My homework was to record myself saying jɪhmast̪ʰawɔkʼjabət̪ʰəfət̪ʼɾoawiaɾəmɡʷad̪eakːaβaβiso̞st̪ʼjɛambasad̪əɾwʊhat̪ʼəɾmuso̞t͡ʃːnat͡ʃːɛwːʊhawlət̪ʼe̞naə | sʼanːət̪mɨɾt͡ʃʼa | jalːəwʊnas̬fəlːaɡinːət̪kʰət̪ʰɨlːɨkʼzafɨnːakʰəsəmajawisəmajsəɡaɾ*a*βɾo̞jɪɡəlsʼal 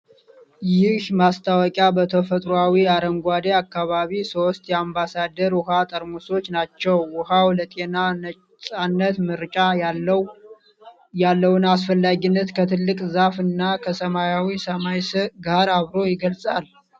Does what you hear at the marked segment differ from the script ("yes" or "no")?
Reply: no